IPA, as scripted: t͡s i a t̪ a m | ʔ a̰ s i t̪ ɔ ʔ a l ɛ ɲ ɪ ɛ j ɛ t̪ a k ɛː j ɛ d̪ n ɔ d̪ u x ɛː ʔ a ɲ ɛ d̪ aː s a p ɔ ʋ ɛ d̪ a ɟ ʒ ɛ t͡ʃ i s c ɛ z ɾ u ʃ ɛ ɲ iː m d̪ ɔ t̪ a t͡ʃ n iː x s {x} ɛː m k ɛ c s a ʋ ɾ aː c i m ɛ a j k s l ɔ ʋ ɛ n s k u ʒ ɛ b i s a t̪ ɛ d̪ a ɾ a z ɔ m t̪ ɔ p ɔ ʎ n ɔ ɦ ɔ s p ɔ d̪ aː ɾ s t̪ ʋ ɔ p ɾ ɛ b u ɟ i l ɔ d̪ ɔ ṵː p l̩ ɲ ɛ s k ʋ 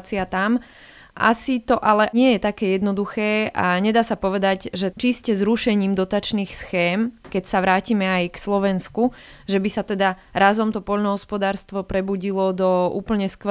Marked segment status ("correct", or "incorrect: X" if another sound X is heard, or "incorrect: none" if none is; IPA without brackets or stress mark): correct